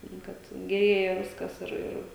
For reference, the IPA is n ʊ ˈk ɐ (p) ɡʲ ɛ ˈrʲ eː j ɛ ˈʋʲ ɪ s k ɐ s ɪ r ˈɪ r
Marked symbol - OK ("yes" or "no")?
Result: no